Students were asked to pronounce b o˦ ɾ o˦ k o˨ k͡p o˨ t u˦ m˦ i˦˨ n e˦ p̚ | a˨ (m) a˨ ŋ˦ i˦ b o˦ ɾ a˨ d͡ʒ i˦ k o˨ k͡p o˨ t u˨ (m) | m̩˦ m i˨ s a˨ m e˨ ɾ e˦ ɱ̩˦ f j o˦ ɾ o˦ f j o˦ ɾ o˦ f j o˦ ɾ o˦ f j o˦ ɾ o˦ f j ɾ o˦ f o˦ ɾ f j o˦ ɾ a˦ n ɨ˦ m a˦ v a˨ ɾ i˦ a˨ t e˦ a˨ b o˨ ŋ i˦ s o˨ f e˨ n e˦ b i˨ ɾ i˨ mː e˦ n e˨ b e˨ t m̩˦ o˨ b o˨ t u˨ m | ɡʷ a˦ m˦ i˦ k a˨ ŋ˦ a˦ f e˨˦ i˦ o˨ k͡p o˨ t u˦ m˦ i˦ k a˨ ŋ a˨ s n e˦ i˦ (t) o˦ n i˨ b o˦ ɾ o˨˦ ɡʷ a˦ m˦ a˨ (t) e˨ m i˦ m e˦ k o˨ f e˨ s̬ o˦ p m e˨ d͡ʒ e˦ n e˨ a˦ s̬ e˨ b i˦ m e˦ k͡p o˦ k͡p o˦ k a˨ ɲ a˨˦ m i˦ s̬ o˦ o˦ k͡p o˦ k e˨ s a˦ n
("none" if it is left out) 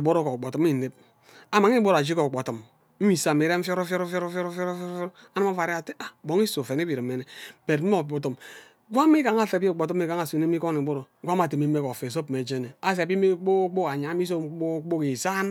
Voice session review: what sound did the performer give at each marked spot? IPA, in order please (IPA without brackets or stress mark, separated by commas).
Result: m, m, k, t